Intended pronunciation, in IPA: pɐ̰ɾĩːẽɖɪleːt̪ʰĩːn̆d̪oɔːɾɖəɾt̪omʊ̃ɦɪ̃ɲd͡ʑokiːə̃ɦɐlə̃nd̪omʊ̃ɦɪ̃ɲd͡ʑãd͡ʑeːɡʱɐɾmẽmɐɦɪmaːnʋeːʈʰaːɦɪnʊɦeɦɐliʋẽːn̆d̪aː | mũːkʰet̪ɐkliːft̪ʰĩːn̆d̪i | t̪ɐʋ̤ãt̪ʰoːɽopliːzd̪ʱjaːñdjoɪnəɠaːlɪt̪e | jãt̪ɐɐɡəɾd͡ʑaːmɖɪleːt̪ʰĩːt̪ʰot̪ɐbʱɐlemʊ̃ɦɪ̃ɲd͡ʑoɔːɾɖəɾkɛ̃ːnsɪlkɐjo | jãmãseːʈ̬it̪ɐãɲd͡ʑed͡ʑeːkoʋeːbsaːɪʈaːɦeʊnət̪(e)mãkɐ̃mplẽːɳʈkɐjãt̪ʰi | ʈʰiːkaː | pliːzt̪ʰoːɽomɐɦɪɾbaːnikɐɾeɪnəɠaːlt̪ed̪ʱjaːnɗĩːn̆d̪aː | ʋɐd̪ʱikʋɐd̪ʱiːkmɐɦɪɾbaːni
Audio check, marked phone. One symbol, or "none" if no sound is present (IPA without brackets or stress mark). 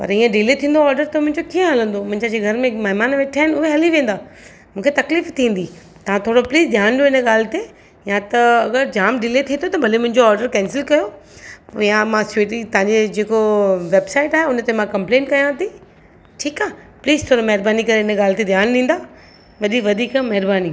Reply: e